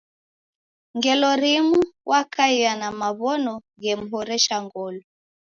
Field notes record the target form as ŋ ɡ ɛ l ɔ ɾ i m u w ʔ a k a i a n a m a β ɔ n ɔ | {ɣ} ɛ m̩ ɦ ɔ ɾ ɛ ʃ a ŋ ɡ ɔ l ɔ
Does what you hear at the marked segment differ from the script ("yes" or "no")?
no